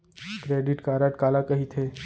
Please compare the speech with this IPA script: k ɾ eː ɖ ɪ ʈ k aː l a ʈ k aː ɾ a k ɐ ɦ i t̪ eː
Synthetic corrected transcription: k ɾ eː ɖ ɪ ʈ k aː ɾ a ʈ k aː l a k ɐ ɦ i t̪ʰ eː